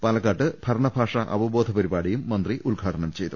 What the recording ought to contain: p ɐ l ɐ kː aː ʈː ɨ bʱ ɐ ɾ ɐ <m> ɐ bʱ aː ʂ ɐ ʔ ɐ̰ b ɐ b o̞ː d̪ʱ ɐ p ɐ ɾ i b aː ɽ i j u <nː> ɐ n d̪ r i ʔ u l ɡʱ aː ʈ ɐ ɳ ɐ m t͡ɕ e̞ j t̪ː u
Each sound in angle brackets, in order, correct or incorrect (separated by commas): incorrect, incorrect